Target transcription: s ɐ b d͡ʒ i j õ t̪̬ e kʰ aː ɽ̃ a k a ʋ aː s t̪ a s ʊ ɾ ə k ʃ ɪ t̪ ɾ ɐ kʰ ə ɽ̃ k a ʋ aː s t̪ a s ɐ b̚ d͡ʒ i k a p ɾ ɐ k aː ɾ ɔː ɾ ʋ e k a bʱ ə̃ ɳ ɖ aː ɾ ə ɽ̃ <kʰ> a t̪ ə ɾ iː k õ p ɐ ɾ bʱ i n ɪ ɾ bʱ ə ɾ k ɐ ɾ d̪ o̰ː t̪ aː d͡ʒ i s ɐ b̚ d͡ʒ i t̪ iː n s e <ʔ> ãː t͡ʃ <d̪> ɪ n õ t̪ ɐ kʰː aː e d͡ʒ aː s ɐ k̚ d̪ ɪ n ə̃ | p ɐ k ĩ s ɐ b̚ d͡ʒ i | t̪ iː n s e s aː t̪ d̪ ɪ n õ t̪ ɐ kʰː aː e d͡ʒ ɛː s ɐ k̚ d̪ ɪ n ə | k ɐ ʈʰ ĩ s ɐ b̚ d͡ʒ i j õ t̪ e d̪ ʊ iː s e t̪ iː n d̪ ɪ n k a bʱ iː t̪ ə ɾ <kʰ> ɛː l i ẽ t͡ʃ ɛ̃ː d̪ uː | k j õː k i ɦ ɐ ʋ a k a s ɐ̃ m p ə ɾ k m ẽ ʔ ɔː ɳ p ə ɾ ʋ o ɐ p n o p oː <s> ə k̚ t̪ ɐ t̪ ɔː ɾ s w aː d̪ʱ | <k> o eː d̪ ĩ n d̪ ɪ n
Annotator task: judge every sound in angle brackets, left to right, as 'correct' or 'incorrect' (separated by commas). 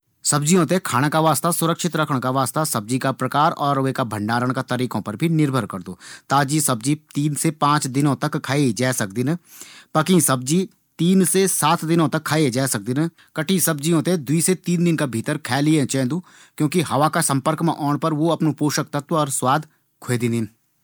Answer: incorrect, incorrect, correct, correct, incorrect, incorrect